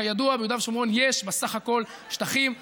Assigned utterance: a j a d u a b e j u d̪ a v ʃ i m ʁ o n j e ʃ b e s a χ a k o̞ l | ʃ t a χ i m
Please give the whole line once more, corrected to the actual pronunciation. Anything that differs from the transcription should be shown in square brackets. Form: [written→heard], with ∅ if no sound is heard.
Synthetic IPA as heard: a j a d u a b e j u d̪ a v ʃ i m ʁ o n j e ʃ b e s a χ a k o̞ l | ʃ t a χ i m